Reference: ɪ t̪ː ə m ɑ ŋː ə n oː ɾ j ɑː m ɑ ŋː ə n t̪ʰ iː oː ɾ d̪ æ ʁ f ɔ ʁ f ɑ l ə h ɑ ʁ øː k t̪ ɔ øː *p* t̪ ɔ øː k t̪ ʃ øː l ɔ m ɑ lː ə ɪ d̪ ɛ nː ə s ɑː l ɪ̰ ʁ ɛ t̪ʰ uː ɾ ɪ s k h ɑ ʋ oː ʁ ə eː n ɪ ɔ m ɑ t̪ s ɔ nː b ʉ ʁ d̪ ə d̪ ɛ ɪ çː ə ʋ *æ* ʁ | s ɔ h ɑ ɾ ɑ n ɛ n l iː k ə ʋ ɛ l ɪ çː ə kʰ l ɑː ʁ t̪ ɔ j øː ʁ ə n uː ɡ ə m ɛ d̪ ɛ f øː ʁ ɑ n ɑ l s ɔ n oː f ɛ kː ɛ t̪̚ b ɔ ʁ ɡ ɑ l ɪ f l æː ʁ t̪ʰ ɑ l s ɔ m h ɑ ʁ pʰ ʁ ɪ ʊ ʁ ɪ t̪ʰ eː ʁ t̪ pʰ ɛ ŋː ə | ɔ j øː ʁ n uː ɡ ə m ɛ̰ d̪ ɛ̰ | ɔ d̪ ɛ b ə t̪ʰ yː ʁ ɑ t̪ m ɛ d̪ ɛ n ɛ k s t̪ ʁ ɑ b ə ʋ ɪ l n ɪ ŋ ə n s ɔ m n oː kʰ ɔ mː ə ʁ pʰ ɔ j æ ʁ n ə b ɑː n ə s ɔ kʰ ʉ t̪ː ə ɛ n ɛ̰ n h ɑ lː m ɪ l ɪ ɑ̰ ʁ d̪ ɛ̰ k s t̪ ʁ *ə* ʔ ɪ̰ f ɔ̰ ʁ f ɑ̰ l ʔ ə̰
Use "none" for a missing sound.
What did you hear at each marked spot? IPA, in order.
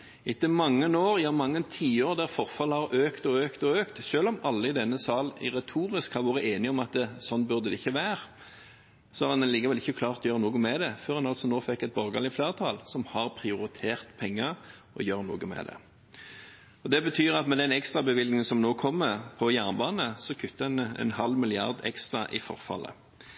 k, æː, ɑ

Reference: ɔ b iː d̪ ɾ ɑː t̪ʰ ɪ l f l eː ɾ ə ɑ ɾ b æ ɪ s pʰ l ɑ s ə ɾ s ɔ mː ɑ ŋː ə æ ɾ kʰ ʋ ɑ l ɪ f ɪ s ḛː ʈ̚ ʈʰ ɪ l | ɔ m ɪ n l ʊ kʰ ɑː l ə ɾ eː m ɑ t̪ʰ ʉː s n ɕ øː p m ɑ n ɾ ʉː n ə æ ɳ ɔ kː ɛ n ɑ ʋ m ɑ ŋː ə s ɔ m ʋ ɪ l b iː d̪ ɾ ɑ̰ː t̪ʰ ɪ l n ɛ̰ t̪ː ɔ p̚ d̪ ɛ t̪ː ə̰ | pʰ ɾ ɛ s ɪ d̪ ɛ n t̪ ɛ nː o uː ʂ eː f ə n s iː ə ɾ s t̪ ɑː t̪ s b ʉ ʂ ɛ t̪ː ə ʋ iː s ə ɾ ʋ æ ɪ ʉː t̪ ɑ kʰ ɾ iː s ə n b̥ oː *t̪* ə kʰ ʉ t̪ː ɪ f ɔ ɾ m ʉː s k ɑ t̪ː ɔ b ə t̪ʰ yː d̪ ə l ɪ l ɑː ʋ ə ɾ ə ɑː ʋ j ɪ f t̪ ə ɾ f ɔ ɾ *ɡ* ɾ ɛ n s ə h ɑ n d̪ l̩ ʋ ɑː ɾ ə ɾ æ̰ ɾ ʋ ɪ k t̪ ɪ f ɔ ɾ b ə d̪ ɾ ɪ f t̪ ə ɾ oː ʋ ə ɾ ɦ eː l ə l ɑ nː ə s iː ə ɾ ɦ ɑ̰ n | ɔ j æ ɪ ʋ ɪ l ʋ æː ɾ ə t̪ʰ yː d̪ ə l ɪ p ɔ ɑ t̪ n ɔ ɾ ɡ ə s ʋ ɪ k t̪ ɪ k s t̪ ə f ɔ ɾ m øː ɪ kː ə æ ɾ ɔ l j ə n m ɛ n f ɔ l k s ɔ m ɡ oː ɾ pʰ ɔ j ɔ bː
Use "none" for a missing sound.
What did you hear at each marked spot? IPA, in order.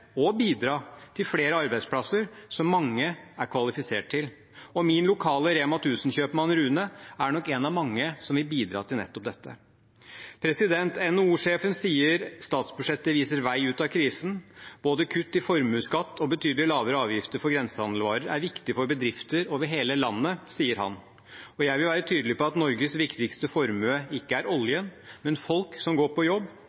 d̪, ɡ

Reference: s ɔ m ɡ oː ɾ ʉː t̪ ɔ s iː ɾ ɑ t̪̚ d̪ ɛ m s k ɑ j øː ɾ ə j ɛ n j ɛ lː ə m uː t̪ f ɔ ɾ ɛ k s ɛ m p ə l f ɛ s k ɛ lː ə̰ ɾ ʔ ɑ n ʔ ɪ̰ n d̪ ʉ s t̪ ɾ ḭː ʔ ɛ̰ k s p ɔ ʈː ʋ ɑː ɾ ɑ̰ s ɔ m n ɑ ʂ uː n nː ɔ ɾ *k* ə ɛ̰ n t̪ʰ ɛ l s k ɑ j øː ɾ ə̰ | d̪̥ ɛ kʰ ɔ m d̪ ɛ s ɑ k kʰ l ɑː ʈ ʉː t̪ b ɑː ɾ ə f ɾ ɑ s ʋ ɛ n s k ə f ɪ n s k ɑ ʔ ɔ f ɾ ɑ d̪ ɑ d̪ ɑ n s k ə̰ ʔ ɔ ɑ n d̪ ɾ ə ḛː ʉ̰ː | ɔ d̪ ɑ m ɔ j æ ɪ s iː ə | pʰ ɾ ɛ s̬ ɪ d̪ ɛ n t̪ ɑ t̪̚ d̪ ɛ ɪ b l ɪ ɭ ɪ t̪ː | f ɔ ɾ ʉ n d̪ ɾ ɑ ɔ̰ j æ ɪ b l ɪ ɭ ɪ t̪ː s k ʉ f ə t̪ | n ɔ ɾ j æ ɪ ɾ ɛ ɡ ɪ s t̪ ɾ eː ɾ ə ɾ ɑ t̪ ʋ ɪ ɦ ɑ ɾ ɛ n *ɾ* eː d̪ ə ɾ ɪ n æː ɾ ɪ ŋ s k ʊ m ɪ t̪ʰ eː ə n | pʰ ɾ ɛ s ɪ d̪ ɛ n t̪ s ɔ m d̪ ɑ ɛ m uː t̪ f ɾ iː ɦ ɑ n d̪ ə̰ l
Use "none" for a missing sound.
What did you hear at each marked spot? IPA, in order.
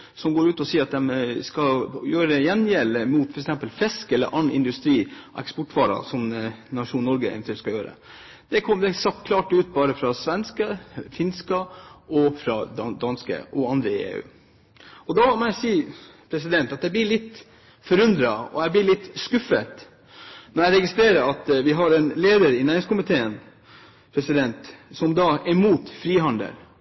ɡ, l

